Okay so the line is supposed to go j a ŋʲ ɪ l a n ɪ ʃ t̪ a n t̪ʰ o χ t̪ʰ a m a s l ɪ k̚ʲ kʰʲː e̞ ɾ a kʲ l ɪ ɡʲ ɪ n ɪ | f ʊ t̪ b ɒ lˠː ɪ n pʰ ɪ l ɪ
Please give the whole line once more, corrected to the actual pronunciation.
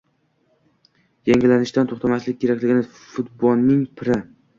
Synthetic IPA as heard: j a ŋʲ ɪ l a n ɪ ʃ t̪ a n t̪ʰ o χ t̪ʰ a m a s l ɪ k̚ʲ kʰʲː e̞ ɾ a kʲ l ɪ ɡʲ ɪ n ɪ | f ʊ t̪ b ɒ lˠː ɪ ŋ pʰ ɪ ɾ ɪ